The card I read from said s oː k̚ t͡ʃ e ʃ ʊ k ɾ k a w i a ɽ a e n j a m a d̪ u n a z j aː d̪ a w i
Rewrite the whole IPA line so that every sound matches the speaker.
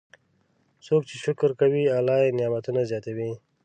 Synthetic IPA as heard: s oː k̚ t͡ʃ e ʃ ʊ k ɾ k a w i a l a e n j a m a t̪ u n a z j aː t̪ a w i